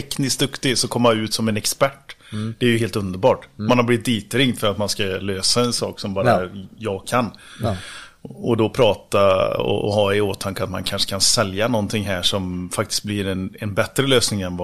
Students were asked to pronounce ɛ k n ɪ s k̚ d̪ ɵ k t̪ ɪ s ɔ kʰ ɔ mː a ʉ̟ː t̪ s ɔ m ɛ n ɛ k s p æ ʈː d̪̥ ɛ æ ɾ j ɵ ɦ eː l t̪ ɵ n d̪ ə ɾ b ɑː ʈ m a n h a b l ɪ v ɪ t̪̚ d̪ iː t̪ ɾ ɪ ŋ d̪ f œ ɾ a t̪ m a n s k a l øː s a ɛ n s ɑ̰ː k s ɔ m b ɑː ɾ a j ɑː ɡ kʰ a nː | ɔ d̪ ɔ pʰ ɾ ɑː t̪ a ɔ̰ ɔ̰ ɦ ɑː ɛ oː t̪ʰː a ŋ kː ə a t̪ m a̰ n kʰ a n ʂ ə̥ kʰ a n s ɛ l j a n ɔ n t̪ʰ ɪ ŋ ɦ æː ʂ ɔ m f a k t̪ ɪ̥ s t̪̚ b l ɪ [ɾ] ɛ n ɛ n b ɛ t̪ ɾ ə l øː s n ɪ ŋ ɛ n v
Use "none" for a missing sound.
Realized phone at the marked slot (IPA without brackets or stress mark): ɾ